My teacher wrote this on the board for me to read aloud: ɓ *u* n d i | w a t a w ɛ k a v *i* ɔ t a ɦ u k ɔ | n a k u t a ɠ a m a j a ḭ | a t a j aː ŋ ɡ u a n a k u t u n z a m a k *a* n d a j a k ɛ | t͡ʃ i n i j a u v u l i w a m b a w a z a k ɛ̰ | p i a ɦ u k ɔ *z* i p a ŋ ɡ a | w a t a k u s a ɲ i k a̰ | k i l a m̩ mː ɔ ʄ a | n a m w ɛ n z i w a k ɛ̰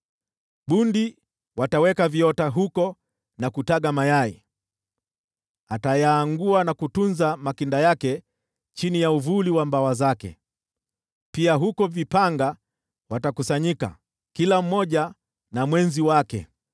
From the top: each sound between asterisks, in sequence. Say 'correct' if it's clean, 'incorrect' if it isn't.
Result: correct, correct, incorrect, incorrect

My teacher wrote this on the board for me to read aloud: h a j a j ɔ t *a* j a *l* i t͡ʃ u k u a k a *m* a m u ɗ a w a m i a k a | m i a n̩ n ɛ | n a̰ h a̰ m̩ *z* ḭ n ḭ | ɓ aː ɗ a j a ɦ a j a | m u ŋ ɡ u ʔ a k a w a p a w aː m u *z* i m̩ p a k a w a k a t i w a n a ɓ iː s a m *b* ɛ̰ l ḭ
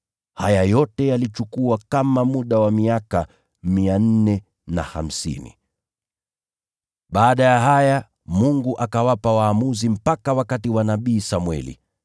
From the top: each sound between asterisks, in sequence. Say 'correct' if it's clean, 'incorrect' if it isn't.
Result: incorrect, correct, correct, incorrect, correct, incorrect

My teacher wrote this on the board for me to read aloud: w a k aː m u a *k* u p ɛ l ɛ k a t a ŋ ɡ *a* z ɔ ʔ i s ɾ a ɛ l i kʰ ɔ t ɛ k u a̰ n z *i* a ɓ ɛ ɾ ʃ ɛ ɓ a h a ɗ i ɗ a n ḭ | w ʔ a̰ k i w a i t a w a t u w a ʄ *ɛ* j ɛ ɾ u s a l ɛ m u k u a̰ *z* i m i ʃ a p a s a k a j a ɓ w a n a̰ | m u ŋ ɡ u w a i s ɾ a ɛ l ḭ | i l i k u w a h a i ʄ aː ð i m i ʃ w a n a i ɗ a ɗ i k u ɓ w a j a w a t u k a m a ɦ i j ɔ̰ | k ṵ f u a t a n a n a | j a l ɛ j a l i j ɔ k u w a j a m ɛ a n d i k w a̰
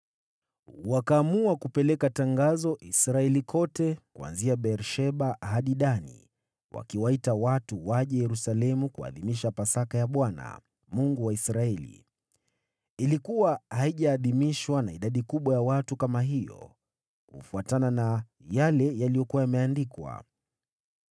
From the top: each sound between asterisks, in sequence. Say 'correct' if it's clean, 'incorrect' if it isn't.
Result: correct, correct, correct, correct, incorrect

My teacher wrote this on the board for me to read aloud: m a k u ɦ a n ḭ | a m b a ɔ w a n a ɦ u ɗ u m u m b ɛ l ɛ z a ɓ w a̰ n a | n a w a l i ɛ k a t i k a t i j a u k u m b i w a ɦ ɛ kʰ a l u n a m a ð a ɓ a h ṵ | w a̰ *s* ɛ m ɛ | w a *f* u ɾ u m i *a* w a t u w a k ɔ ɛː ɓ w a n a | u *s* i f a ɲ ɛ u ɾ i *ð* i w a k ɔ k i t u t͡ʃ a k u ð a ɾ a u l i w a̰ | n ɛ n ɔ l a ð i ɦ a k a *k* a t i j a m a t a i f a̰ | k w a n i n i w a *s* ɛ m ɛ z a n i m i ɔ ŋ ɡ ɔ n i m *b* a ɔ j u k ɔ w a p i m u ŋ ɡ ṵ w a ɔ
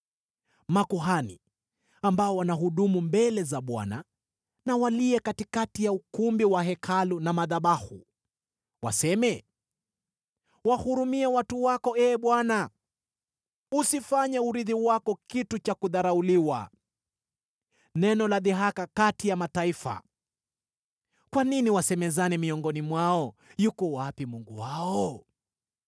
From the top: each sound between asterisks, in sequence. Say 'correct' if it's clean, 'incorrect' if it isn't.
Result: correct, incorrect, incorrect, correct, correct, correct, correct, incorrect

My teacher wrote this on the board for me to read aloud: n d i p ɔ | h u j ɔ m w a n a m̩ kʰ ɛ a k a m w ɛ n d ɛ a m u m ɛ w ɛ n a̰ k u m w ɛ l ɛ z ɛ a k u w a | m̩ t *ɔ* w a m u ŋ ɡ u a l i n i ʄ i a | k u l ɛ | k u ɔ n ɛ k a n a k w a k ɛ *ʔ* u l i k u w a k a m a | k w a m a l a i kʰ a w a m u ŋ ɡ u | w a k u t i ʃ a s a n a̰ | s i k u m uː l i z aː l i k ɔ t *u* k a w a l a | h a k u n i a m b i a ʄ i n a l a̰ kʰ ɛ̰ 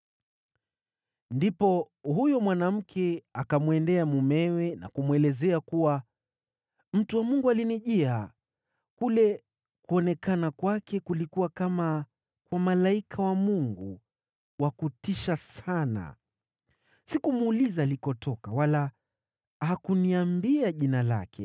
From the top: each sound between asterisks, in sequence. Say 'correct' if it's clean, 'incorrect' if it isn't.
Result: incorrect, incorrect, incorrect

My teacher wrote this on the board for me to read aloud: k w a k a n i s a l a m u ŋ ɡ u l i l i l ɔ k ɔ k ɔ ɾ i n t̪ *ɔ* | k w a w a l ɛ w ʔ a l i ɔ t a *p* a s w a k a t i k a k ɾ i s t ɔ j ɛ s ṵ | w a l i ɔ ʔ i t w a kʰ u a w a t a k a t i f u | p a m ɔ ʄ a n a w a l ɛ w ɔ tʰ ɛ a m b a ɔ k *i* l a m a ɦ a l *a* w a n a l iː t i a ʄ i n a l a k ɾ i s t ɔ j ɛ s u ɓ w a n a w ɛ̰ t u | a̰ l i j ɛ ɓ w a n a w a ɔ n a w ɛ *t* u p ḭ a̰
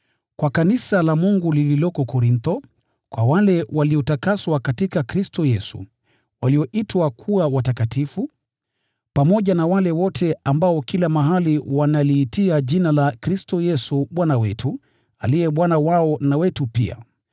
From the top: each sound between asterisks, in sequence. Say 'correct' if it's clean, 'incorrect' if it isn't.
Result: correct, incorrect, correct, incorrect, correct

